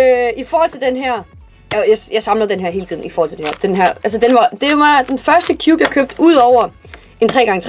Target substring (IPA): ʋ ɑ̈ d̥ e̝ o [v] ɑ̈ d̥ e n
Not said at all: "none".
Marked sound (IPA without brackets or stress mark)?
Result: ʋ